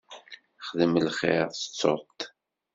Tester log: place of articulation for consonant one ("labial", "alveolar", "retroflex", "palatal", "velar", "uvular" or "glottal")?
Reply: uvular